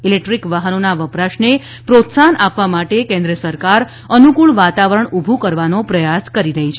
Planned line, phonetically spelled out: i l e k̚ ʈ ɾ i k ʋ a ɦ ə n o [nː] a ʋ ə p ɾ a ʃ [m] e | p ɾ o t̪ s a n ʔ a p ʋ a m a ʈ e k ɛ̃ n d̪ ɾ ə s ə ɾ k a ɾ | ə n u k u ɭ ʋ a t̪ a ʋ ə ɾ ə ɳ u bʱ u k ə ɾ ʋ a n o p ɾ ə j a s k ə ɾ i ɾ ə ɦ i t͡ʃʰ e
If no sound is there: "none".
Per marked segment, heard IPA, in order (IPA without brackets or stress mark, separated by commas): n, n